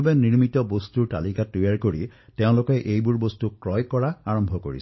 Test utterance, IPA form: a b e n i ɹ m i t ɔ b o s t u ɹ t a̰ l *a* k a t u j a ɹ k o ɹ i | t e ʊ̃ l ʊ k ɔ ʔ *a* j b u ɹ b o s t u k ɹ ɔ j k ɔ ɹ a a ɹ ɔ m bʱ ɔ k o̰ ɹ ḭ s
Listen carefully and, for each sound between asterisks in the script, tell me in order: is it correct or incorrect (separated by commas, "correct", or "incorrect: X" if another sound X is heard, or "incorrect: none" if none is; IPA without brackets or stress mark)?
incorrect: i, incorrect: e